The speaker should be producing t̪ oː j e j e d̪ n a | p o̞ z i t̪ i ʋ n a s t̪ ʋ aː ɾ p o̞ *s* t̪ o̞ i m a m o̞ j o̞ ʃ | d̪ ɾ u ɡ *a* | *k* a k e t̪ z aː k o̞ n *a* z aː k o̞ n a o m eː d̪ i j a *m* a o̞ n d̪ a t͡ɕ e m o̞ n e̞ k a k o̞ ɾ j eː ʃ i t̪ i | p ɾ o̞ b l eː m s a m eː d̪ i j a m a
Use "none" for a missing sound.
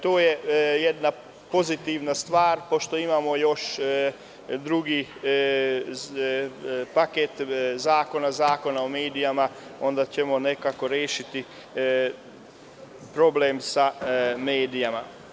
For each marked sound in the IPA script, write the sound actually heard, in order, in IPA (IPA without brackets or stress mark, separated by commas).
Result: ʃ, i, p, a, m